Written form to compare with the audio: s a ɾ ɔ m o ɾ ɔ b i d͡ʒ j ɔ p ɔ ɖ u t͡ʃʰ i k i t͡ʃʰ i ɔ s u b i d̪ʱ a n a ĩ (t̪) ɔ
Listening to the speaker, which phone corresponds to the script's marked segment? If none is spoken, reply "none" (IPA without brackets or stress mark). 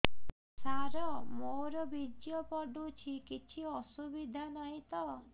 t̪